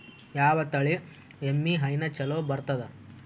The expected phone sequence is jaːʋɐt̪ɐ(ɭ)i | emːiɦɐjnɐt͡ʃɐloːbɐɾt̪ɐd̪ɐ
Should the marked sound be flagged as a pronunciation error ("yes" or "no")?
no